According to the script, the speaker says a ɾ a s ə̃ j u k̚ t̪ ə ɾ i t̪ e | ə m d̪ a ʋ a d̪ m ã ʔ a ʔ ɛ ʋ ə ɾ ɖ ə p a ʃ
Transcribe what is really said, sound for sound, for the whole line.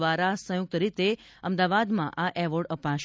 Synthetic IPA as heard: a ɾ a s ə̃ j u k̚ t̪ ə ɾ i t̪ e | ə m d̪ a ʋ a d̪ m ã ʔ a ʔ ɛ ʋ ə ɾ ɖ ə p a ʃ